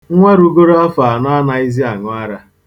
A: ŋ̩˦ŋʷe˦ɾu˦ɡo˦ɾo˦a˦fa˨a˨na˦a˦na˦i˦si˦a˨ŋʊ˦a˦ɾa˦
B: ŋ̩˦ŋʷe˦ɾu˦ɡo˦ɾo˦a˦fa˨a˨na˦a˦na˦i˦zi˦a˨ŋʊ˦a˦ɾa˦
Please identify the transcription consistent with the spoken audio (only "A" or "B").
B